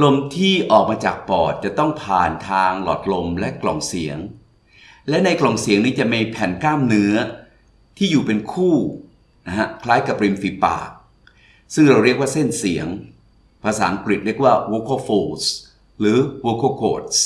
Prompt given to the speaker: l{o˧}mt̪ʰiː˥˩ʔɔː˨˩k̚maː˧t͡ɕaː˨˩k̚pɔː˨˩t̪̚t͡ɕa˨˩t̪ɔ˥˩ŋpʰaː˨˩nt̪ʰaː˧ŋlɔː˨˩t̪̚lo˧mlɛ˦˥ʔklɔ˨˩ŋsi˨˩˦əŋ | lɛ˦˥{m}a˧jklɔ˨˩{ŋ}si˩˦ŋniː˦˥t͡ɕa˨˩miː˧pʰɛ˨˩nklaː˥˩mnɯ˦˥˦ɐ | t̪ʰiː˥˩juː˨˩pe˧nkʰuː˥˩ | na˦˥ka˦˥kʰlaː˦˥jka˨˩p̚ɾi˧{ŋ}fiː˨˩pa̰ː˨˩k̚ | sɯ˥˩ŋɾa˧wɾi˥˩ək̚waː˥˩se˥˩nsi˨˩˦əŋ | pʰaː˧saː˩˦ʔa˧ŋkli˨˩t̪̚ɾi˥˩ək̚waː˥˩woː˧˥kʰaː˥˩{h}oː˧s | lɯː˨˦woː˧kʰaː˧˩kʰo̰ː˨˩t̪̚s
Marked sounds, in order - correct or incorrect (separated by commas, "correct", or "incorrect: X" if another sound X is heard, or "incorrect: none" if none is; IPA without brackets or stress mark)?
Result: correct, incorrect: n, correct, incorrect: m, incorrect: f